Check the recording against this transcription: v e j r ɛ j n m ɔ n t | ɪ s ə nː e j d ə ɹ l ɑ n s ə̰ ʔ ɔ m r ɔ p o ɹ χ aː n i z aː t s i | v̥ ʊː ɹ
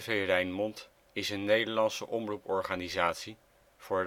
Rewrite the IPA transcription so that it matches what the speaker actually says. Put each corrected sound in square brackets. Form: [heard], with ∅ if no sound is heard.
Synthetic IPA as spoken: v e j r ɛ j n m ɔ n t | ɪ s ə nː e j d ə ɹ l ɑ n s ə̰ ʔ ɔ m r [u] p [ɔ] ɹ χ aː n i z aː t s i | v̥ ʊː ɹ